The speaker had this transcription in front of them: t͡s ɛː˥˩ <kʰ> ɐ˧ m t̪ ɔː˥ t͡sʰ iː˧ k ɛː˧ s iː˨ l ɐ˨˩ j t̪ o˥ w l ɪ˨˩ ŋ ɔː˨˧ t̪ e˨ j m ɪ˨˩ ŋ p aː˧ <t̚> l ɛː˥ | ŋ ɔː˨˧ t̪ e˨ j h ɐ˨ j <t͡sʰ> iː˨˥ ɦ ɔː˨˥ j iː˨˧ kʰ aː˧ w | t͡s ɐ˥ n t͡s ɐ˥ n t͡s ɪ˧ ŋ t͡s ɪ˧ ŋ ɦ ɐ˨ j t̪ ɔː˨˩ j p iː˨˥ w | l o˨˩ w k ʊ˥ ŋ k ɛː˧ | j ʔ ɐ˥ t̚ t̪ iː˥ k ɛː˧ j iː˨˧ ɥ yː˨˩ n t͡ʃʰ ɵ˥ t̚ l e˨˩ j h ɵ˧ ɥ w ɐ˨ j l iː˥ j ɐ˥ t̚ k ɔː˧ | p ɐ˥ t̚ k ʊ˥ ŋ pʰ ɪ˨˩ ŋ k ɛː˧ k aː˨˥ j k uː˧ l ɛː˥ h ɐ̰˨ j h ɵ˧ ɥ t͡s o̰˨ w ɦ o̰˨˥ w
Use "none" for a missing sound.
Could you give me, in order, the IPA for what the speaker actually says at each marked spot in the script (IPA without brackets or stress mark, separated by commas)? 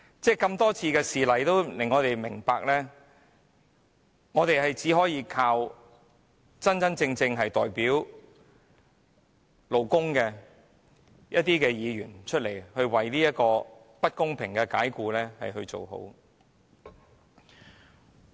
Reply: k, k̚, t͡s